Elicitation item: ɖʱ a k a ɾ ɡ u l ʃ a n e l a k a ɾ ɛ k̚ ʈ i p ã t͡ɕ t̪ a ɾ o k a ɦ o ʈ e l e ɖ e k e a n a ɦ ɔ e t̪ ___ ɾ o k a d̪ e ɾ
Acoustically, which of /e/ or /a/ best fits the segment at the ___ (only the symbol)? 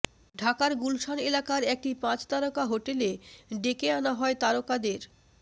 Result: a